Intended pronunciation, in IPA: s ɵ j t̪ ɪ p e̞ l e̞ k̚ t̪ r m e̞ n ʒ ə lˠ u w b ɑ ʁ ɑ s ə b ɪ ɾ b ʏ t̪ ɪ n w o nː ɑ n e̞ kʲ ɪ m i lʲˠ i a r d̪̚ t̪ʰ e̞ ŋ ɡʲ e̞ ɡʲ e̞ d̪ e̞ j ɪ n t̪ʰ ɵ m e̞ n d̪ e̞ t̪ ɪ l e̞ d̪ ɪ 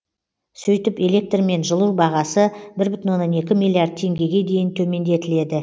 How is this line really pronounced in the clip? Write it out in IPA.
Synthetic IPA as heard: s ɵ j t̪ ɪ p e̞ l e̞ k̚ t̪ r m e̞ n ʒ ə lˠ u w b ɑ ʁ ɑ s ə b ɪ ɾ b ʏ t̪ ɪ n w o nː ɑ n e̞ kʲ ɪ m i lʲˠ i a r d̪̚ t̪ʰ e̞ ŋ ɡʲ e̞ ɡʲ e̞ d̪ e̞ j ɪ n t̪ʰ ɵ m e̞ n d̪ e̞ t̪ ɪ l e̞ d̪ ɪ